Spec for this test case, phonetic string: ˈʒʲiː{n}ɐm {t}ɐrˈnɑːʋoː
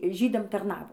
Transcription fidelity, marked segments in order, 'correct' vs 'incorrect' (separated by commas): incorrect, correct